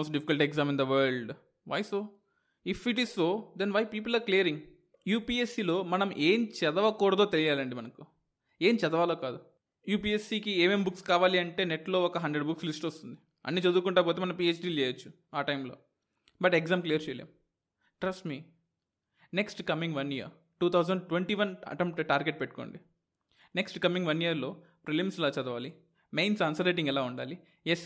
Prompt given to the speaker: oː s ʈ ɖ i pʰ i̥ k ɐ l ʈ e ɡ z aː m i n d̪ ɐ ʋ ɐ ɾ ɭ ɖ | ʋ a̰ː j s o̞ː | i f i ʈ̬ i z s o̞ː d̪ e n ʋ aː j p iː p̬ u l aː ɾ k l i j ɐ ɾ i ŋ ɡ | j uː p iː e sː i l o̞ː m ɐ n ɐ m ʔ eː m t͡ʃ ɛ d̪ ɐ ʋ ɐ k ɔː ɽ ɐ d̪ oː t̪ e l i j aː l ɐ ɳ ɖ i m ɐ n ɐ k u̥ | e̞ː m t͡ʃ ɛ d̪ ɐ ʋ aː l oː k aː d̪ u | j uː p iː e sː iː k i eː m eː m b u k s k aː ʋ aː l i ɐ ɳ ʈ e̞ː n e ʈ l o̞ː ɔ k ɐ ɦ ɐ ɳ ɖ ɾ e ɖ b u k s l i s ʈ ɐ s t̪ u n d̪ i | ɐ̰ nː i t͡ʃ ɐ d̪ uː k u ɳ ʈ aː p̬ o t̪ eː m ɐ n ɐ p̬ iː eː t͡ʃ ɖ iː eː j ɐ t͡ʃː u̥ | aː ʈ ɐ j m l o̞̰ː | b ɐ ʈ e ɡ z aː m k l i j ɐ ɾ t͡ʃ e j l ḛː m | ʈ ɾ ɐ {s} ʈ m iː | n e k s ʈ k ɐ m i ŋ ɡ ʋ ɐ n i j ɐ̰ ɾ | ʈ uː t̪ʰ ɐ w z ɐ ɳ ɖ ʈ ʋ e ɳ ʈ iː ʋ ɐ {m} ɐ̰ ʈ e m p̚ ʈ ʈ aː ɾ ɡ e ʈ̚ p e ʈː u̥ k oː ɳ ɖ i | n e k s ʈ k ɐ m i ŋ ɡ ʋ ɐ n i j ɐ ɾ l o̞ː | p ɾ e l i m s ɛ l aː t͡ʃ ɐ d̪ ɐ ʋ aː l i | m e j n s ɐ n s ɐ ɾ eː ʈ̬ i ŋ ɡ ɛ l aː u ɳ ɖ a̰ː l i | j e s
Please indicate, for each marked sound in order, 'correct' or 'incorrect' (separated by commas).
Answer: correct, incorrect